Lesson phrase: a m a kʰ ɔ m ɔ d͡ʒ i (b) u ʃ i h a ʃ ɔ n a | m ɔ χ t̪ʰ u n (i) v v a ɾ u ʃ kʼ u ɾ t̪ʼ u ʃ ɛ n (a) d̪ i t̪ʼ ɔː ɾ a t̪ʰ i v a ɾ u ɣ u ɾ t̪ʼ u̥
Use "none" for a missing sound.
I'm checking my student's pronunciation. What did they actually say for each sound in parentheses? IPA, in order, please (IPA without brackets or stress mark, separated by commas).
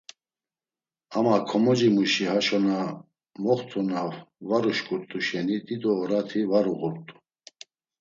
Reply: m, a, i